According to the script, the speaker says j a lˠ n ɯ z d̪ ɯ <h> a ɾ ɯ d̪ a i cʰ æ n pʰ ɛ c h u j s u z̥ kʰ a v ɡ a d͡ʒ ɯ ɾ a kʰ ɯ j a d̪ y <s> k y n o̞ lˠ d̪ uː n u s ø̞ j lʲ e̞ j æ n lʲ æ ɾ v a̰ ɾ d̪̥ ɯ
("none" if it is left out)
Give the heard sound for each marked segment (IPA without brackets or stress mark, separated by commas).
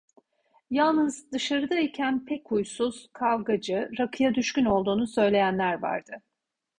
ʃ, ʃ